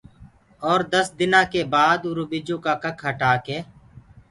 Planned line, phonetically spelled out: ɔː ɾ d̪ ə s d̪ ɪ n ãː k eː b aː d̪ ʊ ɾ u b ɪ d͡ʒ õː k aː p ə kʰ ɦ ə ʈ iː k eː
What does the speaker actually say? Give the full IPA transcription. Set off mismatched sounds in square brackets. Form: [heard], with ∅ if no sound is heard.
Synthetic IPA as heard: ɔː ɾ d̪ ə s d̪ ɪ n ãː k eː b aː d̪ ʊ ɾ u b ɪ d͡ʒ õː k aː [k] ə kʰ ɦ ə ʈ [aː] k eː